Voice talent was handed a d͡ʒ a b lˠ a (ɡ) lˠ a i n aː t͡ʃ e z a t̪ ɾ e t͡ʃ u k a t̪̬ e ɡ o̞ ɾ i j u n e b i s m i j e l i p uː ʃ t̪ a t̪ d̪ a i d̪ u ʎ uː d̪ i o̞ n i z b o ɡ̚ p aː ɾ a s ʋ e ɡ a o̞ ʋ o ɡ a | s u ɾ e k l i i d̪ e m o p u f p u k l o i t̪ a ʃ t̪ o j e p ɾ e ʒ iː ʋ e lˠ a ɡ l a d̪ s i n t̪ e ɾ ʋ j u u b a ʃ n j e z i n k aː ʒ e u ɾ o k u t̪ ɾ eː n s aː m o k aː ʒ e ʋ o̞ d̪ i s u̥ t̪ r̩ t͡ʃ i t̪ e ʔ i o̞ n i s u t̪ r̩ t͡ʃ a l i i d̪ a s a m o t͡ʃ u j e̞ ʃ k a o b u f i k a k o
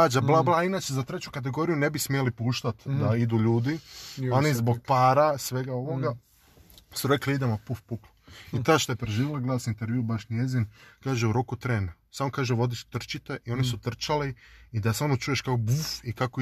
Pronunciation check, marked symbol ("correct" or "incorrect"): incorrect